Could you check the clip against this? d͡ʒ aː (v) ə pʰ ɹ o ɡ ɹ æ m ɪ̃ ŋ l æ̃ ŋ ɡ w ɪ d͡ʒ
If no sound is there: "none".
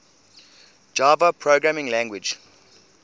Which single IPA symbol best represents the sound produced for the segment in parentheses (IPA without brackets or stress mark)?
v